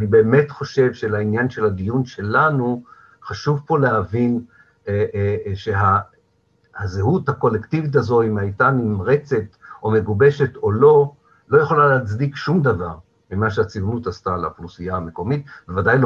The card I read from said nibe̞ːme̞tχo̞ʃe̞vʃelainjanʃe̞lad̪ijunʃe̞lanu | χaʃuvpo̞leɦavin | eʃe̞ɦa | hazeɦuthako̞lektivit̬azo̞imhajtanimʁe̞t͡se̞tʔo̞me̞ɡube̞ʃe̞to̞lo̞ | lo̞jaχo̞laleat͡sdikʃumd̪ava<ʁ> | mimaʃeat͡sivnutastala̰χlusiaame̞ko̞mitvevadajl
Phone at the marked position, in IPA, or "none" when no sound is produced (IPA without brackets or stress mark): ʁ